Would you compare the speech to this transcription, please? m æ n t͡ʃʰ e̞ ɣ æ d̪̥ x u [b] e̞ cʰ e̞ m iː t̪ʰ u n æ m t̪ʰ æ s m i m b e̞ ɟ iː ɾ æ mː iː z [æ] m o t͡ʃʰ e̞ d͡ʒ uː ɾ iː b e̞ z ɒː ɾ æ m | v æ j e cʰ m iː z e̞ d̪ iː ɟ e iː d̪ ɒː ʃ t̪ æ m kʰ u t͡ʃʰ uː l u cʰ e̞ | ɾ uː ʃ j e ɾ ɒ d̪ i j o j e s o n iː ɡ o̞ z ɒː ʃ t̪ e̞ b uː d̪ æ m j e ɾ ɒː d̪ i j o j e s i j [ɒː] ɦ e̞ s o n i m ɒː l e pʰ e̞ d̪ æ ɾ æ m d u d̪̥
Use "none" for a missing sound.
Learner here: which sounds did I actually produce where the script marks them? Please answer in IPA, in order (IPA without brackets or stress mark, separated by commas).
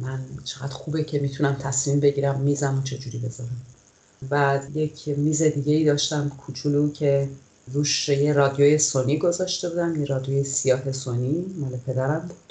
b, æ, ɒː